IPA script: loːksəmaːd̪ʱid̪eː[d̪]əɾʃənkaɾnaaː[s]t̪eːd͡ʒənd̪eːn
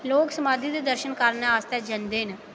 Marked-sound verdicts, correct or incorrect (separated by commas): correct, correct